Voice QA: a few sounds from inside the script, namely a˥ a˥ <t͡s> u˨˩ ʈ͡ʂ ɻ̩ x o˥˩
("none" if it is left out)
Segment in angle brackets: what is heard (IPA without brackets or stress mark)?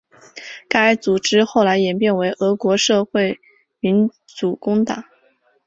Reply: t͡s